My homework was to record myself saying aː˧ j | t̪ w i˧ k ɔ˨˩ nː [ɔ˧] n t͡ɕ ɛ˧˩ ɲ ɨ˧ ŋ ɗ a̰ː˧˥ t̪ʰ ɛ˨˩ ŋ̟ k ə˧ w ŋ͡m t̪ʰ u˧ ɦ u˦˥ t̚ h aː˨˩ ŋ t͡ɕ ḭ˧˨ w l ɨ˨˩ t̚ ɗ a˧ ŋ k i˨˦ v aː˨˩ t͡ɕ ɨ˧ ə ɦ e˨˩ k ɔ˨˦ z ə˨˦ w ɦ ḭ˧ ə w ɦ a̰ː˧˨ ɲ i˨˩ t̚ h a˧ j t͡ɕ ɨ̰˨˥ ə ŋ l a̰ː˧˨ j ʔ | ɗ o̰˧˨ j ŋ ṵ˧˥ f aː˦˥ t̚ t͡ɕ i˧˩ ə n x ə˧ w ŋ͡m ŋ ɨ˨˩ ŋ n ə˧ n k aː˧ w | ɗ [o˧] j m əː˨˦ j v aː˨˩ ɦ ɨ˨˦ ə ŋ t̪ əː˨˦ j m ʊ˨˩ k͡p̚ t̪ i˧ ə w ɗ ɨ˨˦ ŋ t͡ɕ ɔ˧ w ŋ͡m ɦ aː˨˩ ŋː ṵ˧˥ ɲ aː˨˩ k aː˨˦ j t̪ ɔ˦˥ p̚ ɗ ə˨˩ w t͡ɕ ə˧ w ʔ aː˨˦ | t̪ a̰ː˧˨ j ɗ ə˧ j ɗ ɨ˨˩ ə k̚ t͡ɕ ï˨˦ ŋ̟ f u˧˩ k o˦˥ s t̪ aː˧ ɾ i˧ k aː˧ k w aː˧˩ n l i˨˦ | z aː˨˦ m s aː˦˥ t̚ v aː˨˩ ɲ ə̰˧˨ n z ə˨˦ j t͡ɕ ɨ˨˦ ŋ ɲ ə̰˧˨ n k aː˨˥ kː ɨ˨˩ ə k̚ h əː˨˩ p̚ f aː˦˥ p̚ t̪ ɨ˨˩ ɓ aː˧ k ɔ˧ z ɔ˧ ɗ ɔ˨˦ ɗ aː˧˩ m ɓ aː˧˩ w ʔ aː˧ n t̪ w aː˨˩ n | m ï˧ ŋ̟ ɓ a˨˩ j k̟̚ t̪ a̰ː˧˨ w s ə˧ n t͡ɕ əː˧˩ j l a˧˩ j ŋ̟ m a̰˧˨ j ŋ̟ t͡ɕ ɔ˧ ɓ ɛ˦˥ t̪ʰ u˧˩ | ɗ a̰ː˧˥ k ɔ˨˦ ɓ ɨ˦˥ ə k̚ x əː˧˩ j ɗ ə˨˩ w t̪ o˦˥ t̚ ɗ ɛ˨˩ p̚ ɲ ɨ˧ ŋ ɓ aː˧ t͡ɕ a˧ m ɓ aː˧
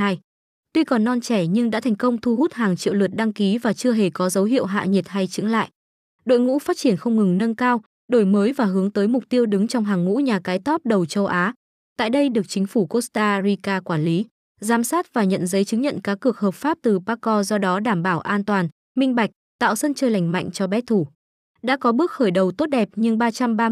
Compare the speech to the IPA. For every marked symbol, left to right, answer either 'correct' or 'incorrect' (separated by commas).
correct, incorrect